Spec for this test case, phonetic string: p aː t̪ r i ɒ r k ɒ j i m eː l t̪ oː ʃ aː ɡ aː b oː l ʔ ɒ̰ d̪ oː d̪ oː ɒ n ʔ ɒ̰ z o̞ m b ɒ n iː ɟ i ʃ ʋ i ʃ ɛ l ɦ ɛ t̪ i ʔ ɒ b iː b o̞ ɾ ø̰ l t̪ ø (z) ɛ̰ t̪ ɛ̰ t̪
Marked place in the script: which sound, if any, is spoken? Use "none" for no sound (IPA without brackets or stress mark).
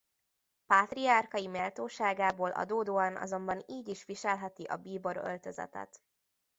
z